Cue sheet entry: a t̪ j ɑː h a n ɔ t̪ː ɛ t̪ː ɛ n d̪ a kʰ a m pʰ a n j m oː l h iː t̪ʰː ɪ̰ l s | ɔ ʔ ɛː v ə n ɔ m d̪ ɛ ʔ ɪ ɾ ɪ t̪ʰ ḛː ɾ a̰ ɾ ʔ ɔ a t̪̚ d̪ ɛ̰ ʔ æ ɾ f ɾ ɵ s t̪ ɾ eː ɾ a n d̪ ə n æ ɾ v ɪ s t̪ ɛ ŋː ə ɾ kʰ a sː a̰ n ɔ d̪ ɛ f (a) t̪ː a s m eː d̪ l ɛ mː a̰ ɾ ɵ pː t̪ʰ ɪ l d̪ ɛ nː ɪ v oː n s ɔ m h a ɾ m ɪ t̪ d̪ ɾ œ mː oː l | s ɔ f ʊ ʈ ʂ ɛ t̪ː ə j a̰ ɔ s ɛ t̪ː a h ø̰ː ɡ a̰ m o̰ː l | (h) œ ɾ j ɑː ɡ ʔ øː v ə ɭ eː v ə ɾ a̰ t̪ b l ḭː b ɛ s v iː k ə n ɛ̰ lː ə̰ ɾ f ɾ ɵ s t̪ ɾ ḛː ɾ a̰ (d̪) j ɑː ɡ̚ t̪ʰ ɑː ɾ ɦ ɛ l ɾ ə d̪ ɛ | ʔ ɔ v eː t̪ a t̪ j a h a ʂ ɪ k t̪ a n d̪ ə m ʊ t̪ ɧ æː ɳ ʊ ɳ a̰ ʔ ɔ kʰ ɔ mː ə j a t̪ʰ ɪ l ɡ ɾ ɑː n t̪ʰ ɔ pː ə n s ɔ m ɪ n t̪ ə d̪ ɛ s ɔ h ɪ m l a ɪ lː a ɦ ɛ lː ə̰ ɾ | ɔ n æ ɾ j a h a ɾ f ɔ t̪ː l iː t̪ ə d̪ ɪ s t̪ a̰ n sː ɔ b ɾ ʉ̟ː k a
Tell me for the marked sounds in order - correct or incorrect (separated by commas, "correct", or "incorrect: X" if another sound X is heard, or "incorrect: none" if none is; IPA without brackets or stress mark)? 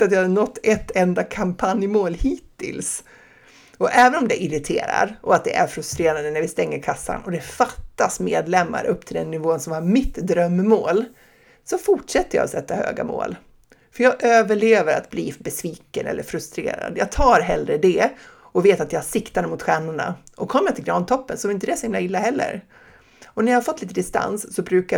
correct, incorrect: f, correct